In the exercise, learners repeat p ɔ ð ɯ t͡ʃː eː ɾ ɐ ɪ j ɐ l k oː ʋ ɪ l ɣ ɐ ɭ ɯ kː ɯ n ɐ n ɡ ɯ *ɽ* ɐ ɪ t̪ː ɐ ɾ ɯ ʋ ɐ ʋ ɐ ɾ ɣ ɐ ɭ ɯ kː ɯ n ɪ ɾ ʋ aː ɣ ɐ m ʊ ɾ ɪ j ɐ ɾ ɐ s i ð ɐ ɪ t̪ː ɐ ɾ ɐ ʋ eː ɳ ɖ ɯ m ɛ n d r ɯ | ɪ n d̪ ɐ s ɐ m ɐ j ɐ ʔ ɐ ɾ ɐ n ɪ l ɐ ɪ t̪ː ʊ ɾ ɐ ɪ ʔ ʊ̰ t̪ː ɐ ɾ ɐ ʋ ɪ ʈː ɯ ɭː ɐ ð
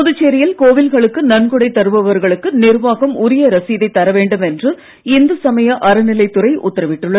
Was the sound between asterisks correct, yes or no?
yes